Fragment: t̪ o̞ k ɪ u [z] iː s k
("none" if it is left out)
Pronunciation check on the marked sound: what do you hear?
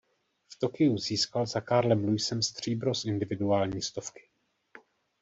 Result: z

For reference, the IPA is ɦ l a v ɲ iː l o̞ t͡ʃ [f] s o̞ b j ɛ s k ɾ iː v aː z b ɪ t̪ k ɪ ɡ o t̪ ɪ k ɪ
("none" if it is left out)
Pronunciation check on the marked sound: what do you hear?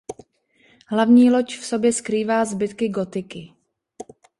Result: f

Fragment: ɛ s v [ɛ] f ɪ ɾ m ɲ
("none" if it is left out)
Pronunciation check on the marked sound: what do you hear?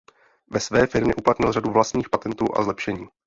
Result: ɛː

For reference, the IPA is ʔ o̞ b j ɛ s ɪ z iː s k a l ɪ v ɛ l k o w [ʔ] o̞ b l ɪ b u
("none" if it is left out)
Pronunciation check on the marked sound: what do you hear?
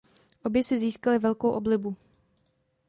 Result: ʔ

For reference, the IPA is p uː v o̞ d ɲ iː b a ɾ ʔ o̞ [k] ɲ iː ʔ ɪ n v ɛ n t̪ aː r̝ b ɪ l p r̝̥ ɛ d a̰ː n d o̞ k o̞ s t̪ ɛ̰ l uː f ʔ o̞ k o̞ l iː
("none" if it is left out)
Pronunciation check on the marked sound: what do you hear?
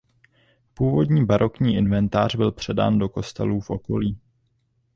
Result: k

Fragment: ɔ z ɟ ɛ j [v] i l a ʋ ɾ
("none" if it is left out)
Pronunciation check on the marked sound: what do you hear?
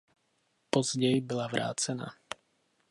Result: b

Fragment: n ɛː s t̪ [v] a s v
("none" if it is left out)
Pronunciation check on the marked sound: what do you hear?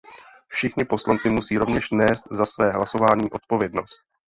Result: z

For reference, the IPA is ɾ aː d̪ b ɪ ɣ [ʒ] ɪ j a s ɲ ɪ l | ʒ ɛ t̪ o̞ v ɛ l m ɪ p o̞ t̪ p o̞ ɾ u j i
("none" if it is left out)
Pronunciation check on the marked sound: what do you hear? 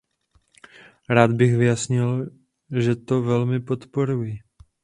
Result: v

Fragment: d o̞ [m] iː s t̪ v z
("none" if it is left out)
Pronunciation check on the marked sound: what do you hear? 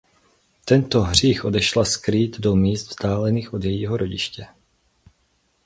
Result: m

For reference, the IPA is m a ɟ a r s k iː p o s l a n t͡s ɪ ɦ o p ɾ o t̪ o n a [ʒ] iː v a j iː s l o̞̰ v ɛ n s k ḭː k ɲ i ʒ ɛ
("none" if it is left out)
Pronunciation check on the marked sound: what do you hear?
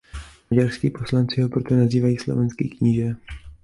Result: z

